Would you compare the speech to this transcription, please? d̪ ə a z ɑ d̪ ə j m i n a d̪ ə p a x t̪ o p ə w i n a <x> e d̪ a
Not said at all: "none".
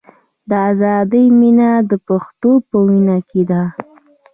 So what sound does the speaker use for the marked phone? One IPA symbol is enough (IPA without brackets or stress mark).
k